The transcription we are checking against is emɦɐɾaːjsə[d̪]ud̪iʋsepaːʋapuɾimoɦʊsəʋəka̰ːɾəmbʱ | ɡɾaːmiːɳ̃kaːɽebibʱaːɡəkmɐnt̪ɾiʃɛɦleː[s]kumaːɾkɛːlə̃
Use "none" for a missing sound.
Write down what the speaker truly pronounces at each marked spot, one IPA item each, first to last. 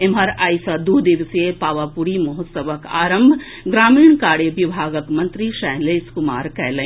d̪, s

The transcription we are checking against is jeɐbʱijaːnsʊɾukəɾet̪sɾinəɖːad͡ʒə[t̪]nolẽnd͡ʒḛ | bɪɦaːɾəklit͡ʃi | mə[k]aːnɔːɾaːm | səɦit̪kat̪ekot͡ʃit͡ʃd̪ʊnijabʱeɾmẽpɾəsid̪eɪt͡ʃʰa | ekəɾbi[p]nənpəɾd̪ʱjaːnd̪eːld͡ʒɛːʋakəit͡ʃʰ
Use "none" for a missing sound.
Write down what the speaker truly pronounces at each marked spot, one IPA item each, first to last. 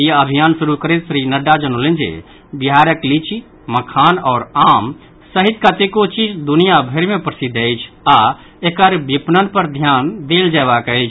none, kʰ, p

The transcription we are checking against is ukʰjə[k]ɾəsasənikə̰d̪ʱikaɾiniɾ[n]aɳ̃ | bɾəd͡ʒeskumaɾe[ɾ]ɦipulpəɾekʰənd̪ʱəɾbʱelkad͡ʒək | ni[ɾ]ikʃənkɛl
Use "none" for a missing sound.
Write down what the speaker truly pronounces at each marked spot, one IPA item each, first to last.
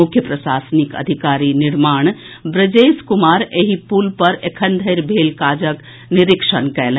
p, m, none, ɾ

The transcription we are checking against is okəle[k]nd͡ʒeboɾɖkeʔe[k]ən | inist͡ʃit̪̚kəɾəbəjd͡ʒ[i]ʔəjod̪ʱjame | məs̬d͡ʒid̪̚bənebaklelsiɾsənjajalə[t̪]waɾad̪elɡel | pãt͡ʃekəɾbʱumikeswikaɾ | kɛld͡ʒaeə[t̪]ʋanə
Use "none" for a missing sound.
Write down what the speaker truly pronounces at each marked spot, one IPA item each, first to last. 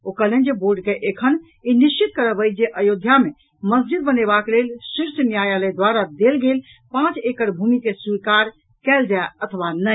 none, kʰ, e, d̪, t̪ʰ

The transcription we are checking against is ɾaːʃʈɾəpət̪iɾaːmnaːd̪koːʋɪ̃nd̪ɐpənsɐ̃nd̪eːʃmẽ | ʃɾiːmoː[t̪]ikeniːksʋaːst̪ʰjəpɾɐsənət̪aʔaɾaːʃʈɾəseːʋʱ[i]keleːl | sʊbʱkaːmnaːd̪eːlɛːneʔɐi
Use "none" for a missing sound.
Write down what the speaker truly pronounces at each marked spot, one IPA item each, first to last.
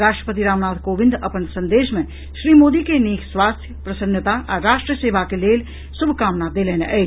d̪, a

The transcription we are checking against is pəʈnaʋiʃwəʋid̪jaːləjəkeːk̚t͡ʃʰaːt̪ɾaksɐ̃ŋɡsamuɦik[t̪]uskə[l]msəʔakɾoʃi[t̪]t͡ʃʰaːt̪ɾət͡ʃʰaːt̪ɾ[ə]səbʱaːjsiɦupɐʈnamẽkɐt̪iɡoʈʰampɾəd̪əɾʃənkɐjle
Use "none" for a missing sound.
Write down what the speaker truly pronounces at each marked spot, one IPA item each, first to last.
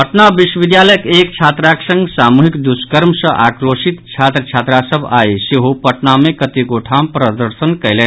d̪, ɾ, t̪, a

